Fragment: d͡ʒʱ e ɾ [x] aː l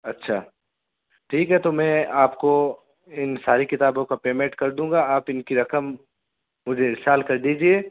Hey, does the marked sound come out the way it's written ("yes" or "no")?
no